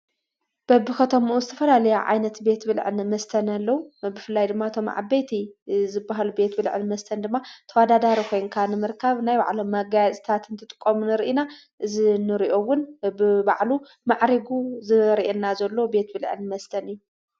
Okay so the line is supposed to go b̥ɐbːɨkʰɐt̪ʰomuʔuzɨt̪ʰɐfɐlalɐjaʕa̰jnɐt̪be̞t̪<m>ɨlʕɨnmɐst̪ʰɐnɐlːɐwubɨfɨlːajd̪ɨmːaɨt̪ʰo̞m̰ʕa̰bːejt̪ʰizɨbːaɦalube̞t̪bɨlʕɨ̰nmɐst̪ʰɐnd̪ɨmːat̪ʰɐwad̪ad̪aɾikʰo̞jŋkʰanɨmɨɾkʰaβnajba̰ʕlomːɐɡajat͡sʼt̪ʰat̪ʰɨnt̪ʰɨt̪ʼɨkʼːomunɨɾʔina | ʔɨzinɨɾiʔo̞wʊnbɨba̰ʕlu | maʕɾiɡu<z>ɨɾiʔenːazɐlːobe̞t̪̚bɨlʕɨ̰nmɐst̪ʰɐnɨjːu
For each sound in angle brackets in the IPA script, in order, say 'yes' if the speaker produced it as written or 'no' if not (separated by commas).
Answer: no, yes